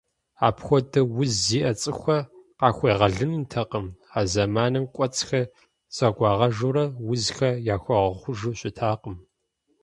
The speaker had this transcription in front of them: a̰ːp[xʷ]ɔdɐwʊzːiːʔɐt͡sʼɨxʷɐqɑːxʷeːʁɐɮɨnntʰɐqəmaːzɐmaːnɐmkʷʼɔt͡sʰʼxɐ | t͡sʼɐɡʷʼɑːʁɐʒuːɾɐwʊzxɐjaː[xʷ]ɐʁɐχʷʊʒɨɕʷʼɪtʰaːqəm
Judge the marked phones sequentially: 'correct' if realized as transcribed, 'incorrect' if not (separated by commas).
correct, correct